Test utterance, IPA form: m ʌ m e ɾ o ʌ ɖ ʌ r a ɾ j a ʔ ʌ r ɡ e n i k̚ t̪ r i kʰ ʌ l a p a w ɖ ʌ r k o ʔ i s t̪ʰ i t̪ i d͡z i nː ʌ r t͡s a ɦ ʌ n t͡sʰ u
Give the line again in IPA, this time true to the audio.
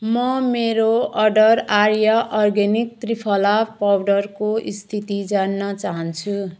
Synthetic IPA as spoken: m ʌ m e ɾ o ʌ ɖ ʌ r a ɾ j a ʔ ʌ r ɡ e n i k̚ t̪ r i pʰ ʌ l a p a w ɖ ʌ r k o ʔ i s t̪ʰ i t̪ i d͡z a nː ʌ t͡s a ɦ ʌ n t͡sʰ u